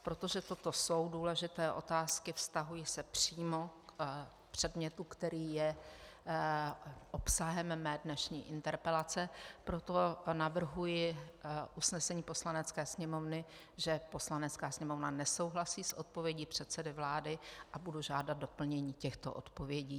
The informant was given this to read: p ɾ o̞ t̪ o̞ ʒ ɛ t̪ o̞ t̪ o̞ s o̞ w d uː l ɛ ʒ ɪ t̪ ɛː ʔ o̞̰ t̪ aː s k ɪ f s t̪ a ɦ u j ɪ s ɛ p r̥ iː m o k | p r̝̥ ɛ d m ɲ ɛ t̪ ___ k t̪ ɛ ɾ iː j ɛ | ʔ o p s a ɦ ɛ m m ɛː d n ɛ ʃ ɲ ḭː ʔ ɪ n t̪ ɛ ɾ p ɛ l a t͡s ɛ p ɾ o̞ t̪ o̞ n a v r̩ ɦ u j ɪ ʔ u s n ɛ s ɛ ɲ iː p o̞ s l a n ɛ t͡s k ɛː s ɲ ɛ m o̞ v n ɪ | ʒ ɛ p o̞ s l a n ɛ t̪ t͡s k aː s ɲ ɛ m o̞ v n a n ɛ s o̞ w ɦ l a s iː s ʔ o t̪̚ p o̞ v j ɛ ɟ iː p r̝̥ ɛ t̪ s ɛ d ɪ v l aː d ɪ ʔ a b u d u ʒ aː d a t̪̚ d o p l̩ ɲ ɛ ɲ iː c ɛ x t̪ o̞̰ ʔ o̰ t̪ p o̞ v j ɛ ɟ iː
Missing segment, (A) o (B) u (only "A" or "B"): B